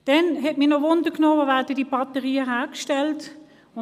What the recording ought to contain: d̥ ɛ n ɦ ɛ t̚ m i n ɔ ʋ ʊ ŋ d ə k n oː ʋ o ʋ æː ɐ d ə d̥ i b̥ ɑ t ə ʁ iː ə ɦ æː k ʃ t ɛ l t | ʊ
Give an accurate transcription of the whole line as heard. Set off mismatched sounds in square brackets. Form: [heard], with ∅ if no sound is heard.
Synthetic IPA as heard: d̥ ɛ n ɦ ɛ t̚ m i n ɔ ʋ ʊ [n] d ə k n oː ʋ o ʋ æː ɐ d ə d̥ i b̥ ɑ t ə ʁ iː ə ɦ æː k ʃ t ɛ l t | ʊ